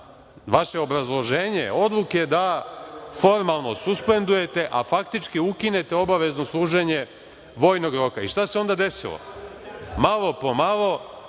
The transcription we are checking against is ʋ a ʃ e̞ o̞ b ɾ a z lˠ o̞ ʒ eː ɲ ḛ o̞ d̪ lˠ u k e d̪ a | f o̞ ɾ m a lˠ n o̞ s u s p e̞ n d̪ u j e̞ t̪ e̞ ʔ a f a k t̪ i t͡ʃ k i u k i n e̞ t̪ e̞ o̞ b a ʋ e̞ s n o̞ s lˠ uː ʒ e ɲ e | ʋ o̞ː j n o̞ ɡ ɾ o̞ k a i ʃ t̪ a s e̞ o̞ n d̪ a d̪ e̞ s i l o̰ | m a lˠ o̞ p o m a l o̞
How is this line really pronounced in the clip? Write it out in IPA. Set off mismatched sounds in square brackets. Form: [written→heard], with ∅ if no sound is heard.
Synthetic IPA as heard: ʋ a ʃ e̞ o̞ b ɾ a z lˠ o̞ ʒ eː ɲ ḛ o̞ d̪ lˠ u k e d̪ a | f o̞ ɾ m a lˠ n o̞ s u s p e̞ n d̪ u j e̞ t̪ e̞ ʔ a f a k t̪ i t͡ʃ k i u k i n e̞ t̪ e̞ o̞ b a ʋ e̞ [s→z] n o̞ s lˠ uː ʒ e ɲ e | ʋ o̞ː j n o̞ ɡ ɾ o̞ k a i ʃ t̪ a s e̞ o̞ n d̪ a d̪ e̞ s i l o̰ | m a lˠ o̞ p o m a l o̞